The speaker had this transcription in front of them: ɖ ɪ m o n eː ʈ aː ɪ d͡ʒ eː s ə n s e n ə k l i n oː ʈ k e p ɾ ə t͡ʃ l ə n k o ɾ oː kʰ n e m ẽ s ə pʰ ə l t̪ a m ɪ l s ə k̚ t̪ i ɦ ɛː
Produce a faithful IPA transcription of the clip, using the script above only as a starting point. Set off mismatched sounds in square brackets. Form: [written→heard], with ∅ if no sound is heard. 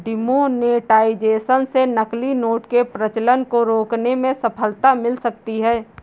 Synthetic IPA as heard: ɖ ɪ m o n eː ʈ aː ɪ d͡ʒ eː s ə n s e n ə k l i n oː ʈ k e p ɾ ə t͡ʃ l ə n k o ɾ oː [kʰ→k] n e m ẽ s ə pʰ ə l t̪ a m ɪ l s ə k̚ t̪ i ɦ ɛː